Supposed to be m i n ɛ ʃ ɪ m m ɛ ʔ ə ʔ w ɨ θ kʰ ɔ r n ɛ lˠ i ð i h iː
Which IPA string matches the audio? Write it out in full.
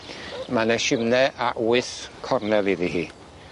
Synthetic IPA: m a n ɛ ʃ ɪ m n ɛ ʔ a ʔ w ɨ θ kʰ ɔ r n ɛ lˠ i ð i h iː